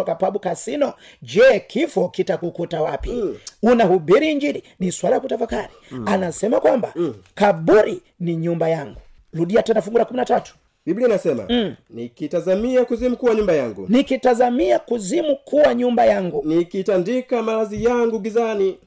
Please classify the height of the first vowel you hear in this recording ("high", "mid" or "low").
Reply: mid